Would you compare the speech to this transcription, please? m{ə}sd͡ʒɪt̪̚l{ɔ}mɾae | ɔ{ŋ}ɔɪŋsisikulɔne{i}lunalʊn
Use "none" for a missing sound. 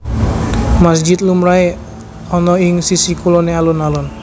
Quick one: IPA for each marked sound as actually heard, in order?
a, u, n, a

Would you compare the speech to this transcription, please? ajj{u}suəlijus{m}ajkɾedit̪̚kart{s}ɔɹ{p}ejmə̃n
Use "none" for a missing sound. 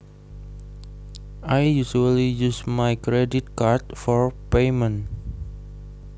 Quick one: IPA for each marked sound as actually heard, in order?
u, m, f, p

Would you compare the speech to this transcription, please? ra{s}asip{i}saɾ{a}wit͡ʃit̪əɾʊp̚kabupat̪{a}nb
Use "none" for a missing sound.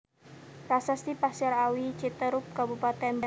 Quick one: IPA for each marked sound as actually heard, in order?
s, a, a, ɛ

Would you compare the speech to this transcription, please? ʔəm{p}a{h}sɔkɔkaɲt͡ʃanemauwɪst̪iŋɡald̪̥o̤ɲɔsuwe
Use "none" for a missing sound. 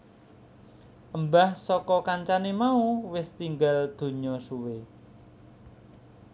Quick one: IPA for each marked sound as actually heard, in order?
b, h

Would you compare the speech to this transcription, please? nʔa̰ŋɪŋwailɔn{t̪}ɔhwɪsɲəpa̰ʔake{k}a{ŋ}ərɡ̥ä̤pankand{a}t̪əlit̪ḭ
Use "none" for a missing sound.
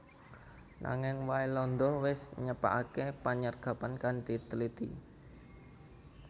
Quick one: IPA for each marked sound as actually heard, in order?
d̪, p, ɲ, i

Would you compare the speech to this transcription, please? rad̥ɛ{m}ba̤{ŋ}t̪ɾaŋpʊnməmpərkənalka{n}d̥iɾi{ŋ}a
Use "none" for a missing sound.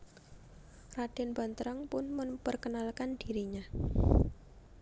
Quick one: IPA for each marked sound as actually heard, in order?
n, n, n, ɲ

